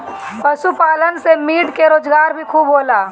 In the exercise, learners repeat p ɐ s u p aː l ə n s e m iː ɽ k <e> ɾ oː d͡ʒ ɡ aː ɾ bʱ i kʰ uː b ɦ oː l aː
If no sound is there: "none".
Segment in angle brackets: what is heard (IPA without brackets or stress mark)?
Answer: e